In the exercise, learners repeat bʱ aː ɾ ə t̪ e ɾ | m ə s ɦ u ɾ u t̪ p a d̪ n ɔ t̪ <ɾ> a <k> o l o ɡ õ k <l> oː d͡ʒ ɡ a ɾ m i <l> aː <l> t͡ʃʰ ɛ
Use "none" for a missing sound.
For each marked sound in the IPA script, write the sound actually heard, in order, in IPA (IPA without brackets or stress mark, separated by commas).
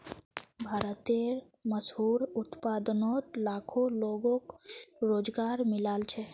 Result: l, kʰ, ɾ, l, l